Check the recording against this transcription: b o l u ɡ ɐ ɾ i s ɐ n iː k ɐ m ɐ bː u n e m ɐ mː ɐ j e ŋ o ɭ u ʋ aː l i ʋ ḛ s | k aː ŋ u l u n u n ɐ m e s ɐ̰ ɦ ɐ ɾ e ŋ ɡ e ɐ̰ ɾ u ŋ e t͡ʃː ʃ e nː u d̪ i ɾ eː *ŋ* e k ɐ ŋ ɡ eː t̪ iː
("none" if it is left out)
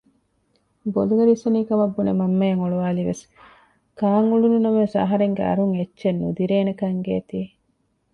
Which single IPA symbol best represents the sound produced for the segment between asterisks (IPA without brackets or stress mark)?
n